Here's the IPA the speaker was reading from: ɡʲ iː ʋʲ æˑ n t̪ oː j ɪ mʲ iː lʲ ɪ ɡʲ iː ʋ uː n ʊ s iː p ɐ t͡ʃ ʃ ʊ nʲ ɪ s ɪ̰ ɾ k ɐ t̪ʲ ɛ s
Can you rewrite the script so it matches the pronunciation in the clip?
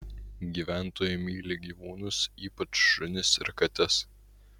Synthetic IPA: ɡʲ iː ʋʲ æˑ n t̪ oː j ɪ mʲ iː lʲ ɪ ɡʲ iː ʋ uː n ʊ s iː p ɐ t͡ʃ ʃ ʊ nʲ ɪ s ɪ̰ ɾ k ɐ t̪ʲ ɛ s